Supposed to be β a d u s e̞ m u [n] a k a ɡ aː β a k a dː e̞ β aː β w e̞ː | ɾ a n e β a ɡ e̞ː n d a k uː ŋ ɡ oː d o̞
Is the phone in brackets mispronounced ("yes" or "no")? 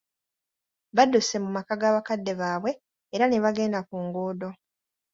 yes